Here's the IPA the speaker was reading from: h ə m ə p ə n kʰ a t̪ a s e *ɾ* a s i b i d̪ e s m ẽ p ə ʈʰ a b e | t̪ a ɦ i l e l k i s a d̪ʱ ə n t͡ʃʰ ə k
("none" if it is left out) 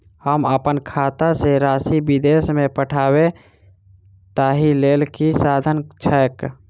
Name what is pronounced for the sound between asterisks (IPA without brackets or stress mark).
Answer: ɾ